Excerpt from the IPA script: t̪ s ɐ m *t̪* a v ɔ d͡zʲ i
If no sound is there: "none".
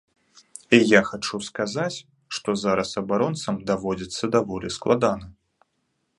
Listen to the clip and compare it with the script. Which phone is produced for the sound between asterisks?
d̪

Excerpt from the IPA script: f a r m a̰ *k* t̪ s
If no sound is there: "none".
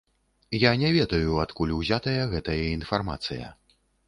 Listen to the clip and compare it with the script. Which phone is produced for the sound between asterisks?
none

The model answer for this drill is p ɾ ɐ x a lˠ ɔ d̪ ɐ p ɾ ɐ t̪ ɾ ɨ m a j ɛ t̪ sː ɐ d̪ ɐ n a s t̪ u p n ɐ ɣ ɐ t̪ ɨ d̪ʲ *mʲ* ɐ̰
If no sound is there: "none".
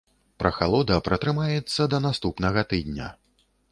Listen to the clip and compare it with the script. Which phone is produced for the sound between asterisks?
nʲ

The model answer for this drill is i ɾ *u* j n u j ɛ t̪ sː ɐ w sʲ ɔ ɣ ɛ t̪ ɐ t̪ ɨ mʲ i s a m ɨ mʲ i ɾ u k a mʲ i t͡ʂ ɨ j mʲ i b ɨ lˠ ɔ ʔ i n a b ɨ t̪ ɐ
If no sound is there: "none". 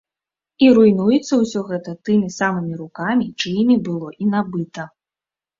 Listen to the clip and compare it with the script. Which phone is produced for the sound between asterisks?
u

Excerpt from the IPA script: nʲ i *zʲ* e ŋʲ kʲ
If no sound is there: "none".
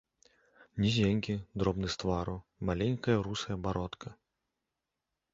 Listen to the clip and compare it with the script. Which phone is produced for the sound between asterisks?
zʲ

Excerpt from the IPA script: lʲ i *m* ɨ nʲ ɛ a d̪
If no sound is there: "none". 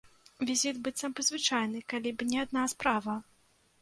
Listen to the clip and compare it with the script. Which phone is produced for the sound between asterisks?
b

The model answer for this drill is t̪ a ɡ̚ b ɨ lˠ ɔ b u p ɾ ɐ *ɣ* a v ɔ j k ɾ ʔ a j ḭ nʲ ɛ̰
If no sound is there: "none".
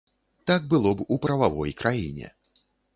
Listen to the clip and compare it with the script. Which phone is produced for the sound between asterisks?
v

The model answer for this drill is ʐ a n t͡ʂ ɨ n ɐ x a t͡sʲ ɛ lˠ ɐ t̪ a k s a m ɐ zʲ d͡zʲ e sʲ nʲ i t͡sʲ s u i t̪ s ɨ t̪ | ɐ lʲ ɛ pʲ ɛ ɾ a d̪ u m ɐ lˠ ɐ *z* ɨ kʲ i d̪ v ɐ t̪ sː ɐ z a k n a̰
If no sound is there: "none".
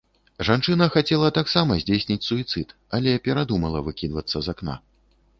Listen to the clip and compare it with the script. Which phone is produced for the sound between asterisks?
v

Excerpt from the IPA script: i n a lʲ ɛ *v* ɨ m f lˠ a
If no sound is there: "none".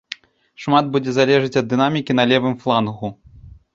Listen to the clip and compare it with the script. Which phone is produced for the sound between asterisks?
v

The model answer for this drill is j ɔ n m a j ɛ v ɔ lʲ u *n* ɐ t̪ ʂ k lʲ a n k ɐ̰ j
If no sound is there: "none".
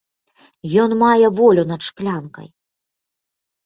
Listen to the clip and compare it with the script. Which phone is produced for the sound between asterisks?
n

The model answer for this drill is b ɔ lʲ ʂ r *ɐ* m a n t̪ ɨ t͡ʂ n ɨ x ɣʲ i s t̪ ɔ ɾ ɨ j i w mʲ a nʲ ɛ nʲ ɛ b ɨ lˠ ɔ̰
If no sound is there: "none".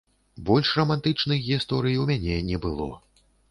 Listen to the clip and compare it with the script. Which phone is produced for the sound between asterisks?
ɐ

